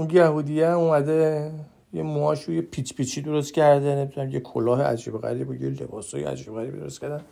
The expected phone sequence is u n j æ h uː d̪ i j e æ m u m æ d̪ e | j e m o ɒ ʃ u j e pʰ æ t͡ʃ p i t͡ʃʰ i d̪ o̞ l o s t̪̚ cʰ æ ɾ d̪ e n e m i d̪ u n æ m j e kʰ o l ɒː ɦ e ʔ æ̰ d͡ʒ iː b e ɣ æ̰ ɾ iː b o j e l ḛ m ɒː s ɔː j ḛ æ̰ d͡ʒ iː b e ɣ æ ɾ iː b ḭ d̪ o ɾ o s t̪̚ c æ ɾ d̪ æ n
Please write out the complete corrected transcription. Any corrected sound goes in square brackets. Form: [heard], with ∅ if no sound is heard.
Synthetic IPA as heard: u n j æ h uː d̪ i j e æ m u m æ d̪ e | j e m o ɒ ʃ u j e pʰ [i] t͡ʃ p i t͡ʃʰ i d̪ o̞ [ɾ] o s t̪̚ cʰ æ ɾ d̪ e n e m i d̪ u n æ m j e kʰ o l ɒː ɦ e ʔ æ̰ d͡ʒ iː b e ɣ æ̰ ɾ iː b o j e l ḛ [b] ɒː s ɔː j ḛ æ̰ d͡ʒ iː b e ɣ æ ɾ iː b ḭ d̪ o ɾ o s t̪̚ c æ ɾ d̪ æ n